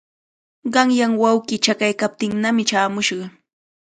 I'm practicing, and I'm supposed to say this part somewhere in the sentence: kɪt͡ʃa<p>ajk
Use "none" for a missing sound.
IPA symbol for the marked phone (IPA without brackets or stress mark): k